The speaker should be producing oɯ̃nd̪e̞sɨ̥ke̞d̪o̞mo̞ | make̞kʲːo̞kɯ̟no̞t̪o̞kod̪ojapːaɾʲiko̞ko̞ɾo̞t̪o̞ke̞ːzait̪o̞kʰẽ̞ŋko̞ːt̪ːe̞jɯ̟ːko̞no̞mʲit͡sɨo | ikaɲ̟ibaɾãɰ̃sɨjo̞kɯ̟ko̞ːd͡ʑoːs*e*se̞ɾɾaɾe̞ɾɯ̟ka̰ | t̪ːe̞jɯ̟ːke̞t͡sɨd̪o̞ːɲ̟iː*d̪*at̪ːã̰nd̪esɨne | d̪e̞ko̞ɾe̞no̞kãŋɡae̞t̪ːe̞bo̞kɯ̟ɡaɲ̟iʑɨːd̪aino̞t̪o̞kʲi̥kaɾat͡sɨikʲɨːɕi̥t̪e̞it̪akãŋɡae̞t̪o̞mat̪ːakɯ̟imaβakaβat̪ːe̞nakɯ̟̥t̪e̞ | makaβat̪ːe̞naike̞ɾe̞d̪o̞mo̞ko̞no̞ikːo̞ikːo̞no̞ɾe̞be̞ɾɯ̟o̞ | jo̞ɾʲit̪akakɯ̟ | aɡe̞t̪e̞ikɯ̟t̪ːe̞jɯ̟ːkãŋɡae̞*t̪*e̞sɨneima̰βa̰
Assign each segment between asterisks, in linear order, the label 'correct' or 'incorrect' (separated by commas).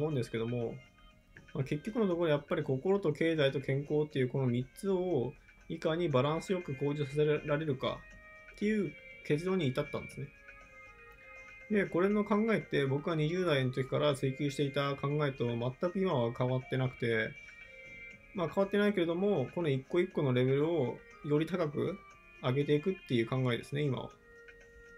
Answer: incorrect, incorrect, incorrect